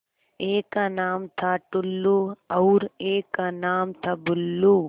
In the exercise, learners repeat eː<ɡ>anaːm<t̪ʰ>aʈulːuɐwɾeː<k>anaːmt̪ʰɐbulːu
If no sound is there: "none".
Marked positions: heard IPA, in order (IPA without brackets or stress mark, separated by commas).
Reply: k, t̪ʰ, k